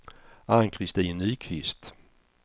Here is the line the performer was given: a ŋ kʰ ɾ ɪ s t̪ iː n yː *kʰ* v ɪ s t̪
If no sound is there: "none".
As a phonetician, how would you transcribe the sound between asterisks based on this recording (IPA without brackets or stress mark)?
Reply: kʰ